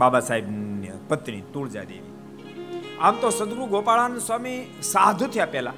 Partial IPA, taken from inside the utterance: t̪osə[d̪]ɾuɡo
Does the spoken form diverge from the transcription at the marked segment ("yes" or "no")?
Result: no